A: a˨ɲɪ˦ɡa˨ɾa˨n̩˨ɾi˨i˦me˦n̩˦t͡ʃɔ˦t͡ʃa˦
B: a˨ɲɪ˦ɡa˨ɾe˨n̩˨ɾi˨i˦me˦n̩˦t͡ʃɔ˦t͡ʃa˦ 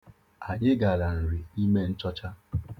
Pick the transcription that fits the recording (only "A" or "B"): A